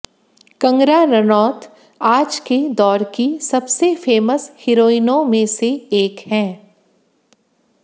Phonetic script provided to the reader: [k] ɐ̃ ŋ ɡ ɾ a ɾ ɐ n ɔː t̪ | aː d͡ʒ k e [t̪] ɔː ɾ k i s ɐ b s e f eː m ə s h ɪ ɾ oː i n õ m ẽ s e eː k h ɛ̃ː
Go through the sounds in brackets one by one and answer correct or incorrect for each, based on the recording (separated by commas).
correct, incorrect